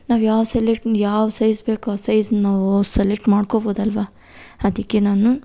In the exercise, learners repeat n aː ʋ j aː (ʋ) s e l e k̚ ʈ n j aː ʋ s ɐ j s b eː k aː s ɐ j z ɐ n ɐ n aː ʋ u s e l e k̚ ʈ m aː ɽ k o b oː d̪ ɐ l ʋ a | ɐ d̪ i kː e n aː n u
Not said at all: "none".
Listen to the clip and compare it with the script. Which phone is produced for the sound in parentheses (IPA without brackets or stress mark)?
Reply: ʋ